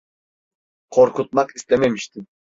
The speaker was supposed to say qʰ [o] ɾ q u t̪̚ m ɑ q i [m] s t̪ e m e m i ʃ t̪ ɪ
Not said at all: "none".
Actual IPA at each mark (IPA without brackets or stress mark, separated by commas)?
o, none